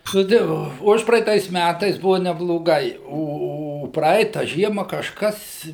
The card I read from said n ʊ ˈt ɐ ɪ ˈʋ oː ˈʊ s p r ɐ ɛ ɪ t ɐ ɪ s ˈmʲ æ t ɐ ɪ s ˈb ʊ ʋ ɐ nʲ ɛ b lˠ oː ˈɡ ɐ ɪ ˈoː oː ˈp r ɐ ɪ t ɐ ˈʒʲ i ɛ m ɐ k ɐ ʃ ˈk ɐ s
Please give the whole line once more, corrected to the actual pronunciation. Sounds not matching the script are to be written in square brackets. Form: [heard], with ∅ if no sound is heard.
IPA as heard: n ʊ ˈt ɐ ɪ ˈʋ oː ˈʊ [ʃ] p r ɐ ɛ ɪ t ɐ ɪ s ˈmʲ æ t ɐ ɪ s ˈb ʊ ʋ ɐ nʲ ɛ b lˠ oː ˈɡ ɐ ɪ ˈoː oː ˈp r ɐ ɪ t ɐ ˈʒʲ i ɛ m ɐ k ɐ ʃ ˈk ɐ s

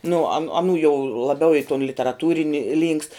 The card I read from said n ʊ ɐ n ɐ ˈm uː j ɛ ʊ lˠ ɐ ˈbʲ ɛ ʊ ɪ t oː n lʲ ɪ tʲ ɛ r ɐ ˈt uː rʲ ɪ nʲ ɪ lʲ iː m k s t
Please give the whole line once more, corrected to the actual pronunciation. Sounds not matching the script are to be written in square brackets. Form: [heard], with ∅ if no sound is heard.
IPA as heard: n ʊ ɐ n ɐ [ˈn] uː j ɛ ʊ lˠ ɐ ˈbʲ ɛ ʊ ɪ t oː n lʲ ɪ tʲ ɛ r ɐ ˈt uː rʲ ɪ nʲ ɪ lʲ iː [ŋ] k s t

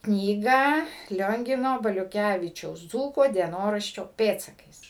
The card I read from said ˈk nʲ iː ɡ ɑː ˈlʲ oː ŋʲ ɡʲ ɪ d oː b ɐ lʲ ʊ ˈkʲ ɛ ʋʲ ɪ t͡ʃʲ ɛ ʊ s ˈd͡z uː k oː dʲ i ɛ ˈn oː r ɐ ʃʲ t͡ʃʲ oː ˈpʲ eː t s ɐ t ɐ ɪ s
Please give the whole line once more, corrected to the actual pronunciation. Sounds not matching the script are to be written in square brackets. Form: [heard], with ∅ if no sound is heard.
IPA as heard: ˈk nʲ iː ɡ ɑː ˈlʲ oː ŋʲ ɡʲ ɪ [n] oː b ɐ lʲ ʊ ˈkʲ [æ] ʋʲ ɪ t͡ʃʲ ɛ ʊ s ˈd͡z uː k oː dʲ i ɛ ˈn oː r ɐ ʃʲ t͡ʃʲ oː ˈpʲ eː t s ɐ [k] ɐ ɪ s

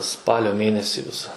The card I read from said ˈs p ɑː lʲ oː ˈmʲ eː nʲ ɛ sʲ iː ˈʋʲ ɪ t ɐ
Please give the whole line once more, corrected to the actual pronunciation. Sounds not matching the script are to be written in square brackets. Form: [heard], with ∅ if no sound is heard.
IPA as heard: ˈs p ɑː lʲ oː ˈmʲ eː nʲ ɛ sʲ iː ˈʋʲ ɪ [s] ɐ

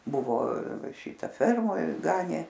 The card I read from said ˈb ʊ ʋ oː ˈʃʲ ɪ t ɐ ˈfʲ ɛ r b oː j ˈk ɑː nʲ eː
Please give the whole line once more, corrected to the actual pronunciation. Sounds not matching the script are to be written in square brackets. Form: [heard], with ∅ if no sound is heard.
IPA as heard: ˈb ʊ ʋ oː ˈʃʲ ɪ t ɐ ˈfʲ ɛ r [m] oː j [ˈɡ] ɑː nʲ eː

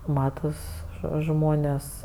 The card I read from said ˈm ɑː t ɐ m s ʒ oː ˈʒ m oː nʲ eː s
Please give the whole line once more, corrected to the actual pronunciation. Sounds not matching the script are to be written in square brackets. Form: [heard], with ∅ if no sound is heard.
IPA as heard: ˈm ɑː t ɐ [∅] s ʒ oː ˈʒ m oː nʲ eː s

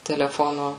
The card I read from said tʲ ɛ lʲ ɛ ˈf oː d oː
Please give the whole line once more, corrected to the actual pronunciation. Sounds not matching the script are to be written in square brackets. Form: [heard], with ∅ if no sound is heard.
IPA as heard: tʲ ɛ lʲ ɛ ˈf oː [n] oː

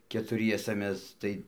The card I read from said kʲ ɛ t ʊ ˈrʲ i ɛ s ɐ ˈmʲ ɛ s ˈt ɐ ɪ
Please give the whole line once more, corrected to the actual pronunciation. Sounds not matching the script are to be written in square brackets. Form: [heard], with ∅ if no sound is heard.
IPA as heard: kʲ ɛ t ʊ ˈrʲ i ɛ s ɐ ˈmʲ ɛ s ˈt ɐ ɪ

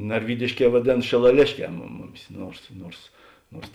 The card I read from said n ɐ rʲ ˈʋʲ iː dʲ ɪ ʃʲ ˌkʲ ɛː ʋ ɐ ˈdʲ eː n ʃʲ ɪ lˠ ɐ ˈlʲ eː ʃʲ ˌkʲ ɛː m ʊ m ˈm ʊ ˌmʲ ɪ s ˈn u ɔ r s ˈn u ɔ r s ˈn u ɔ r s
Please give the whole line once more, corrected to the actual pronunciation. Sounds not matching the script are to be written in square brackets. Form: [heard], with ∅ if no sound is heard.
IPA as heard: n ɐ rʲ ˈʋʲ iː dʲ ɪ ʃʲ ˌkʲ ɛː ʋ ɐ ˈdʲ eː n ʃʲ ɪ lˠ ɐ ˈlʲ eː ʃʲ ˌkʲ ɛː m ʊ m ˈm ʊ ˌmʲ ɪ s ˈn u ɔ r s ˈn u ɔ r s ˈn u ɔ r s

